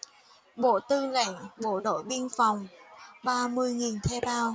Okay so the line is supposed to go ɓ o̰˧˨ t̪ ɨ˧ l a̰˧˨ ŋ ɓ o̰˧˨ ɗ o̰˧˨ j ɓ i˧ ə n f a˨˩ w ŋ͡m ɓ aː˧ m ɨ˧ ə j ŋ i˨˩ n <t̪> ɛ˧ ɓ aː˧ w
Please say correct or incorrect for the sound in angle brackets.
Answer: incorrect